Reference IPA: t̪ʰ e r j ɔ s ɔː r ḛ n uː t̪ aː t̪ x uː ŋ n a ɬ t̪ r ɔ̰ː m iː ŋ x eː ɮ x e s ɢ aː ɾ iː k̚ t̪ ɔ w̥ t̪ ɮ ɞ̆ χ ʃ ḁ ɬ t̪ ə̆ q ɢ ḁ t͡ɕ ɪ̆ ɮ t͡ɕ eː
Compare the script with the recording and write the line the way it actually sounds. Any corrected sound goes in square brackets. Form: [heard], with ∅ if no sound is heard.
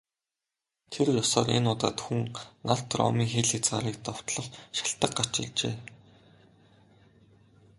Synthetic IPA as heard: t̪ʰ e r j ɔ s ɔː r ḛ n [ʊː] t̪ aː t̪ x [u] ŋ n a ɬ t̪ r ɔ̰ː m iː ŋ x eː ɮ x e [t͡s] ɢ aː ɾ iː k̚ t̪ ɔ w̥ t̪ ɮ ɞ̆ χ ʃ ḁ ɬ t̪ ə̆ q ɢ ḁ t͡ɕ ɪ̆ ɮ t͡ɕ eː

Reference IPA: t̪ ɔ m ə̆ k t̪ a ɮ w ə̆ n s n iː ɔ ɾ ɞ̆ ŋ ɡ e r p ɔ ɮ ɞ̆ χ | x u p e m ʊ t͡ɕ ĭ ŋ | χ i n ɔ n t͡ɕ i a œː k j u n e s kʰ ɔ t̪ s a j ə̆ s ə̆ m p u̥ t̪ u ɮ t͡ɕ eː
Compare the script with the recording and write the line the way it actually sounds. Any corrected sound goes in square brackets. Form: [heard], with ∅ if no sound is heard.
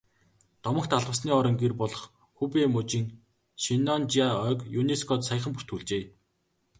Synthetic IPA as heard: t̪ ɔ m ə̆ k t̪ a ɮ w ə̆ [∅] s n iː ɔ ɾ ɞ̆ ŋ ɡ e r p ɔ ɮ ɞ̆ χ | x u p e m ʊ t͡ɕ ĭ ŋ | [ʃ] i n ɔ n t͡ɕ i a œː k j u n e s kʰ ɔ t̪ s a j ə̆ [χ] ə̆ m p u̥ t̪ u ɮ t͡ɕ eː

